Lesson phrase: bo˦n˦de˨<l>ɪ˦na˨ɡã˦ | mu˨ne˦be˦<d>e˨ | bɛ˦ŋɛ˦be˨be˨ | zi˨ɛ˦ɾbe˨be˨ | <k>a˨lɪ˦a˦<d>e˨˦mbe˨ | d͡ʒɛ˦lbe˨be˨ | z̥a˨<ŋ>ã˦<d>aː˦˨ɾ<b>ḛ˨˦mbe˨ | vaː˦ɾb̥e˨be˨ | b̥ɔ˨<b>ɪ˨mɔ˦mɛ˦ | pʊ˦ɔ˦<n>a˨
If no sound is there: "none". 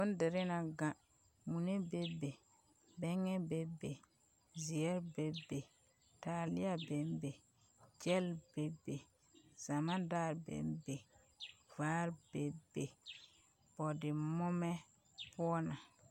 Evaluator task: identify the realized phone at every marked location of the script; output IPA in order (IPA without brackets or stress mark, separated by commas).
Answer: ɾ, b, t, b, m, d, b, d, n